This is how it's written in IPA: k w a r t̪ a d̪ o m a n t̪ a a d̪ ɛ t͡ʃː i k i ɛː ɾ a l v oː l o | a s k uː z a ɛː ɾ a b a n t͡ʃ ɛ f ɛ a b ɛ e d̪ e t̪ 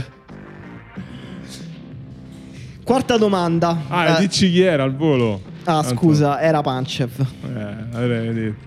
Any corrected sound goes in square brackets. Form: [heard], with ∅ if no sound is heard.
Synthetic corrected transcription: k w a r t̪ a d̪ o m a n [d̪] a a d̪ [i] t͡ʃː i k i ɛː ɾ a l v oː l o | a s k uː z a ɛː ɾ a [p] a n t͡ʃ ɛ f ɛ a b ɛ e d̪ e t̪